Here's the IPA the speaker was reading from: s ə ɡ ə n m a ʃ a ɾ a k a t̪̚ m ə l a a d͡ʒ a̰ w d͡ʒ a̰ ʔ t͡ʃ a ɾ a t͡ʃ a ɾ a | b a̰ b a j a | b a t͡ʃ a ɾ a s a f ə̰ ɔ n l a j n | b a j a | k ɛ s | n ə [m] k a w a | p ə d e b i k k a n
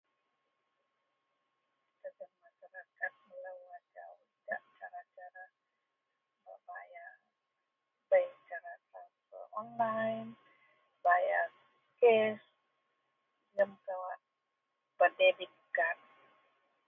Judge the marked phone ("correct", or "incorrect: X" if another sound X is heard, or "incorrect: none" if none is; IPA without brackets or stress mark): correct